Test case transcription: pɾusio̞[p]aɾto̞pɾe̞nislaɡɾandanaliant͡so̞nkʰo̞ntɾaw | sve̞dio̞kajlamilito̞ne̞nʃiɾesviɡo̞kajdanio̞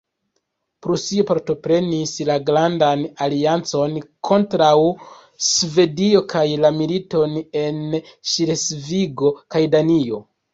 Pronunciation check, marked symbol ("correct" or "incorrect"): correct